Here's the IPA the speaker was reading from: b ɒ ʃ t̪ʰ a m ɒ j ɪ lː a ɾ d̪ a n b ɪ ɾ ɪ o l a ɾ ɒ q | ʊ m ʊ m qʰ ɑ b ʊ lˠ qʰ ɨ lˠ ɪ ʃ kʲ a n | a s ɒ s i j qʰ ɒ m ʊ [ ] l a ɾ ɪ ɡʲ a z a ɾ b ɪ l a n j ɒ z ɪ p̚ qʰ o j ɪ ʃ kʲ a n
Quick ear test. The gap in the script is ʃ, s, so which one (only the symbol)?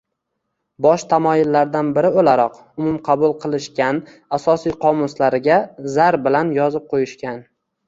s